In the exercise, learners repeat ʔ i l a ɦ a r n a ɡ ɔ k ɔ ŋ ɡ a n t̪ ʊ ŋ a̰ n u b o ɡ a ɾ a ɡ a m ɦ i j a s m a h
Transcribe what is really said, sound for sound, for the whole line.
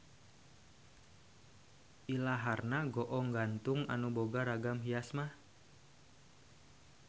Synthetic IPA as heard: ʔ i l a ɦ a r n a ɡ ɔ ʔ ɔ ŋ ɡ a n t̪ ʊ ŋ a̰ n u b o ɡ a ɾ a ɡ a m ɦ i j a s m a h

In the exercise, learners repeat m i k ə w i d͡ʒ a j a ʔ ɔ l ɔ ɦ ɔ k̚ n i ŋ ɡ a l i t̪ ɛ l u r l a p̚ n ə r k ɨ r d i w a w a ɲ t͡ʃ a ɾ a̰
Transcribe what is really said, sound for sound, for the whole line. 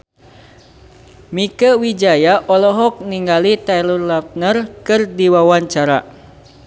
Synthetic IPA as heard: m i k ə w i d͡ʒ a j a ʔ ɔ l ɔ ɦ ɔ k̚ n i ŋ ɡ a l i t̪ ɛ l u r l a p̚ n ə r k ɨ r d i w a w a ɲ t͡ʃ a ɾ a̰

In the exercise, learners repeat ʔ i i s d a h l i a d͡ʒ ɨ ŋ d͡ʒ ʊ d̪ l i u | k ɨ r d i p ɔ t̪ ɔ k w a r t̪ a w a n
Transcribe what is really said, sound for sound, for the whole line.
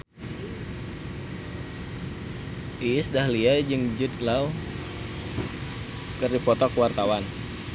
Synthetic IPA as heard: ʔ i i s d a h l i a d͡ʒ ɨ ŋ d͡ʒ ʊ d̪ l a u | k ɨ r d i p ɔ t̪ ɔ k w a r t̪ a w a n

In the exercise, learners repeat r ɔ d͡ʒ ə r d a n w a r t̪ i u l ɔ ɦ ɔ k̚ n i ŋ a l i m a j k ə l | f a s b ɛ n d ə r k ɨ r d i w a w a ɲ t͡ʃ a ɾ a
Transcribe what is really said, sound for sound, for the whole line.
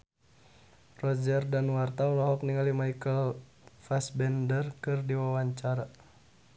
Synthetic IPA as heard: r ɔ d͡ʒ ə r d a n w a r t̪ a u l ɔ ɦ ɔ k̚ n i ŋ a l i m a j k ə l | f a s b ɛ n d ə r k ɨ r d i w a w a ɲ t͡ʃ a ɾ a

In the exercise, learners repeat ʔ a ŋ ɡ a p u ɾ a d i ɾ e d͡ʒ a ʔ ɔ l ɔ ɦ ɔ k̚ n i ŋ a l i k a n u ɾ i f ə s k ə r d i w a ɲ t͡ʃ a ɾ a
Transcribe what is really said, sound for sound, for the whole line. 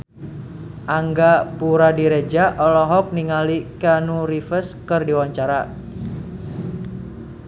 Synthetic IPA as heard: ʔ a ŋ ɡ a p u ɾ a d i ɾ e d͡ʒ a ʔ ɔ l ɔ ɦ ɔ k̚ n i ŋ a l i k a n u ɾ i f ə s k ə r d i w a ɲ t͡ʃ a ɾ a

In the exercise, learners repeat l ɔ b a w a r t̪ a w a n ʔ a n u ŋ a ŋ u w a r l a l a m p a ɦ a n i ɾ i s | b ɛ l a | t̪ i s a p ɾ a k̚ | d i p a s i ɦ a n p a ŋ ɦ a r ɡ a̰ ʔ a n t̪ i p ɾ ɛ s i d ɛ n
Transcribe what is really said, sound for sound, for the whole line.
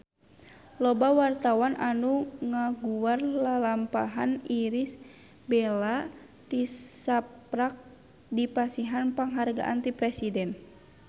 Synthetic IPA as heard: l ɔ b a w a r t̪ a w a n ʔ a n u ŋ a ɡ u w a r l a l a m p a ɦ a n i ɾ i s | b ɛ l a | t̪ i s a p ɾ a k̚ | d i p a s i ɦ a n p a ŋ ɦ a r ɡ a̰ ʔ a n t̪ i p ɾ ɛ s i d ɛ n

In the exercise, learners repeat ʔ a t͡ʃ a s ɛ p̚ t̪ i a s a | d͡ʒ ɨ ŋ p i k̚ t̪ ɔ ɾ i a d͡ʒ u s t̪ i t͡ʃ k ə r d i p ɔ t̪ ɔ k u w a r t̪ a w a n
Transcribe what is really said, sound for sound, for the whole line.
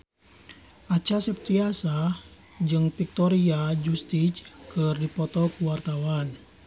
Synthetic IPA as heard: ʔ a t͡ʃ a s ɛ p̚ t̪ i a s a | d͡ʒ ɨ ŋ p i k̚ t̪ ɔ ɾ i a d͡ʒ u s t̪ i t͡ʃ k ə r d i p ɔ t̪ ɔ k u w a r t̪ a w a n

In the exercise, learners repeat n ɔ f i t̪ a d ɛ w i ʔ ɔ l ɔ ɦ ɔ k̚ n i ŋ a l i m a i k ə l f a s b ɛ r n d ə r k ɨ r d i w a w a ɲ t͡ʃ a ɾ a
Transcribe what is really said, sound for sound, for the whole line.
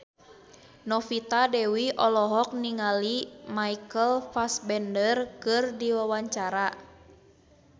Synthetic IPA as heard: n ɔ f i t̪ a d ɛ w i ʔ ɔ l ɔ ɦ ɔ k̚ n i ŋ a l i m a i k ə l f a s b ɛ n d ə r k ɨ r d i w a w a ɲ t͡ʃ a ɾ a

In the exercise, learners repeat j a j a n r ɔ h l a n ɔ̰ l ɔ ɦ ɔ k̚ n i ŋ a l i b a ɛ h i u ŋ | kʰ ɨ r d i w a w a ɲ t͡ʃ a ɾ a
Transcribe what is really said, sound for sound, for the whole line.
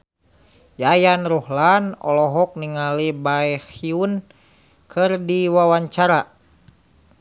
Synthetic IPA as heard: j a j a n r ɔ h l a n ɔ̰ l ɔ ɦ ɔ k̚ n i ŋ a l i b a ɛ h i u n | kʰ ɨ r d i w a w a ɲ t͡ʃ a ɾ a

